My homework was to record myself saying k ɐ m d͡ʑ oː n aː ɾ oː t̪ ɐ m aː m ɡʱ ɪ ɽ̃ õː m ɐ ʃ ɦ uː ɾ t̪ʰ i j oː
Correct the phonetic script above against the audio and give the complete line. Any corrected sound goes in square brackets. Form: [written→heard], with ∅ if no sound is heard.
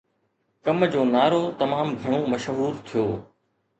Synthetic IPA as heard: k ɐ m d͡ʑ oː n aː ɾ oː t̪ ɐ m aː m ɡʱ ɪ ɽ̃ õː m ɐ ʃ ɦ uː ɾ t̪ʰ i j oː